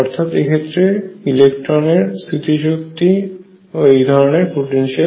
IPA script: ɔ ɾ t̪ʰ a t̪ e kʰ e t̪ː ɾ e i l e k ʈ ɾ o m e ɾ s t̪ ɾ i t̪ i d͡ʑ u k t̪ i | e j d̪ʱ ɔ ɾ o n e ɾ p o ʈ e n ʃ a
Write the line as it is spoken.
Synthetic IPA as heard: ɔ ɾ t̪ʰ a t̪ e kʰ e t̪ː ɾ e i l e k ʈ ɾ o n e ɾ s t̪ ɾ i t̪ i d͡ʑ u k t̪ i | e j d̪ʱ ɔ ɾ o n e ɾ p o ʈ e n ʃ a